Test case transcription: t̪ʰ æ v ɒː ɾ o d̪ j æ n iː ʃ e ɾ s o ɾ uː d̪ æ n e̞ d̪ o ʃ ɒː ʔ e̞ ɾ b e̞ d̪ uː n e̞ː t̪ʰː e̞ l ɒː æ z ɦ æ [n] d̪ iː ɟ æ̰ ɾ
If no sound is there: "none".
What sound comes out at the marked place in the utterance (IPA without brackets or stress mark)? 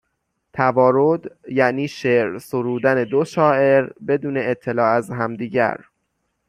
m